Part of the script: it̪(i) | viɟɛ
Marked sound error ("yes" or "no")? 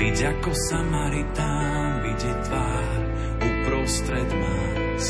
yes